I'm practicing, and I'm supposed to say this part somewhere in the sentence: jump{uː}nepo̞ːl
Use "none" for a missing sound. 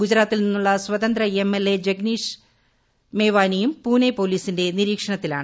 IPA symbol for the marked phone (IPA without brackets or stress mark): uː